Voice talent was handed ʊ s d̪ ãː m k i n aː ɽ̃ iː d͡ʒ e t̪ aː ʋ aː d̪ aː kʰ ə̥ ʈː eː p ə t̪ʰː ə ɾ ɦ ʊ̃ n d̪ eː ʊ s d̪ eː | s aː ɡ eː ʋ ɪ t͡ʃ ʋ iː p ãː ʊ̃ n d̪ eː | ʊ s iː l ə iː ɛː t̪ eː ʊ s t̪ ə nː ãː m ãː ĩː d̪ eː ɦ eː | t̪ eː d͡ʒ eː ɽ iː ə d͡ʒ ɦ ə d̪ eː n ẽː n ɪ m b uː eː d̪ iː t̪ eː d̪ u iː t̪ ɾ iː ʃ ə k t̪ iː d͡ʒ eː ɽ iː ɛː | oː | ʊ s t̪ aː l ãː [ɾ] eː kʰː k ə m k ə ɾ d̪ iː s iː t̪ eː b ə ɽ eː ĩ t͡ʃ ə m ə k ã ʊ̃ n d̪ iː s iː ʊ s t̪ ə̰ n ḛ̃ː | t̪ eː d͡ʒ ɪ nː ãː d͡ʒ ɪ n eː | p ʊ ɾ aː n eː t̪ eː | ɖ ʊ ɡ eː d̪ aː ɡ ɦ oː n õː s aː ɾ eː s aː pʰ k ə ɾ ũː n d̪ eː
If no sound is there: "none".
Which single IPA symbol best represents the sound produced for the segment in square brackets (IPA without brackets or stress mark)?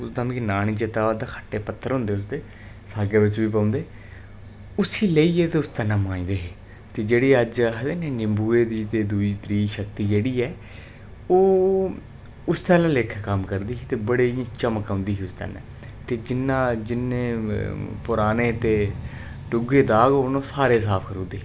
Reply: l